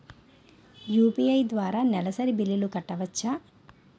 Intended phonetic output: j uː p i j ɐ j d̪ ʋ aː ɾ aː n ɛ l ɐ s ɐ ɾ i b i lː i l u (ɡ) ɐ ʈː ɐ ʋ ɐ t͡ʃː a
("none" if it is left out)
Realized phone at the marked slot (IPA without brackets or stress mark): k